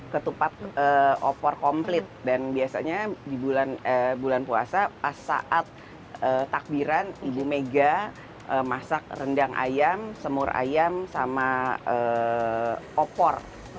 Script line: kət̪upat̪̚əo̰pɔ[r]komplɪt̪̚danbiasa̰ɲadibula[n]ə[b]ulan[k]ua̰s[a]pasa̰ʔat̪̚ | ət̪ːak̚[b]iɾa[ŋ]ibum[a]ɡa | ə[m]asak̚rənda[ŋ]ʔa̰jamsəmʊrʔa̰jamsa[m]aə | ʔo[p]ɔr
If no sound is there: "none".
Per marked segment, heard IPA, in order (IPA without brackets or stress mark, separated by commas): r, n, b, p, a, b, n, e, m, ŋ, m, p